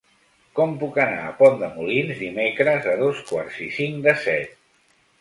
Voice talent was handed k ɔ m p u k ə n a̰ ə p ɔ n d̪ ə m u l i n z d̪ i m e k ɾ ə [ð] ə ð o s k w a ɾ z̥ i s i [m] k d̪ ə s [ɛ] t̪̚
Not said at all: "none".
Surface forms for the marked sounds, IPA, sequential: z, ŋ, ɛ

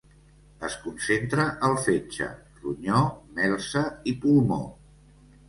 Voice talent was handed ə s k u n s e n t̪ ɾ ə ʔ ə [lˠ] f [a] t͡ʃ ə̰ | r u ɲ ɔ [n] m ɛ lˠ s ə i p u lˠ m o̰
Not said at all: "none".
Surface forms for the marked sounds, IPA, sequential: lˠ, e, none

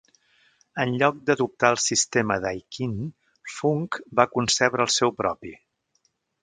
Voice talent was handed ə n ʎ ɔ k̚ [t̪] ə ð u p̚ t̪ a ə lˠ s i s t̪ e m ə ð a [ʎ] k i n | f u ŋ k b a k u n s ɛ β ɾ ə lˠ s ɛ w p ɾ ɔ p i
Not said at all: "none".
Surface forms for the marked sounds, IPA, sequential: d̪, j

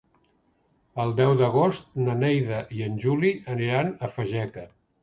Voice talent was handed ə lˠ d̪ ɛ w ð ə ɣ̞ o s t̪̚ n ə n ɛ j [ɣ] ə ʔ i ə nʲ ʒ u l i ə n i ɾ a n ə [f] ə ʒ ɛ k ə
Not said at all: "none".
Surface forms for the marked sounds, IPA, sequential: ð, f

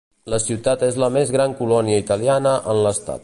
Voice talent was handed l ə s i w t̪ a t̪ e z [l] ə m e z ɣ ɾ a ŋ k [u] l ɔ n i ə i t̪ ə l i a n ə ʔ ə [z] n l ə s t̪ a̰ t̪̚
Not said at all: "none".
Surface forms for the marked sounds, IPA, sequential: l, u, none

